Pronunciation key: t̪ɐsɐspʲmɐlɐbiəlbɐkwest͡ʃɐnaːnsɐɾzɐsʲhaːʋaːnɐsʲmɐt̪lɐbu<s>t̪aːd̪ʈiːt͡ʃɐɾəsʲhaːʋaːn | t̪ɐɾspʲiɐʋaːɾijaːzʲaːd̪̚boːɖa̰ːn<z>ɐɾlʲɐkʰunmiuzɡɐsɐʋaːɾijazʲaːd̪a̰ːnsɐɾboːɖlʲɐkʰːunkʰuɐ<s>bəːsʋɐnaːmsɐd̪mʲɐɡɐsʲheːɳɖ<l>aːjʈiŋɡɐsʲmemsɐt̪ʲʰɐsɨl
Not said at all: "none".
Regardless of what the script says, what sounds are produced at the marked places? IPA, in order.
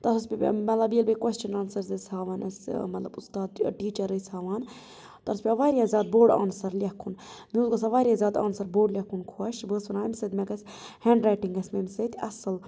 s, s, ʃ, ɾ

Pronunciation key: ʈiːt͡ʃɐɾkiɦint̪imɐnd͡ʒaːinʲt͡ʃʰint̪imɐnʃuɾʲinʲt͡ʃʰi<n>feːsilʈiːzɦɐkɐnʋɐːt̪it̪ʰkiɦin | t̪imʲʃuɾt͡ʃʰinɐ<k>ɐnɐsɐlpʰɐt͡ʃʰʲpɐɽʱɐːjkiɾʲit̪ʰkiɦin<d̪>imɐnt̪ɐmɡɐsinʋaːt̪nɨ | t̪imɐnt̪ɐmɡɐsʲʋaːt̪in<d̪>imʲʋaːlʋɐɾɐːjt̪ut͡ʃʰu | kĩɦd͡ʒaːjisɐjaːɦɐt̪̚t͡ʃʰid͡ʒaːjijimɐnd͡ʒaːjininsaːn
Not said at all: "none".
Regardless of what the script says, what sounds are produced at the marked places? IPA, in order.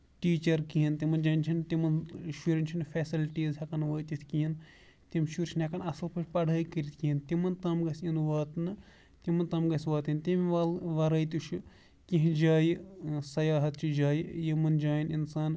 n, k, t̪, t̪

